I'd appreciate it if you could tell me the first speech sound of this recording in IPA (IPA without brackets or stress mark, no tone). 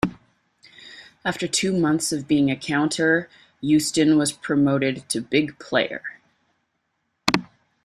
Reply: æ